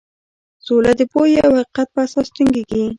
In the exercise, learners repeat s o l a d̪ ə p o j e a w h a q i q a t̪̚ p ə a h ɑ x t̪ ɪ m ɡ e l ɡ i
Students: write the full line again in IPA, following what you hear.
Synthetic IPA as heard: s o l a d̪ ə p o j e a w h a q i q a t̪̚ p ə a s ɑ s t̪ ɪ ŋ ɡ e ɡ i